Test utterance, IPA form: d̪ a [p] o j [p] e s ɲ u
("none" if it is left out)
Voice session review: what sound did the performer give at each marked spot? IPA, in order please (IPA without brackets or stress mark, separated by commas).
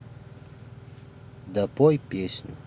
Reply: p, p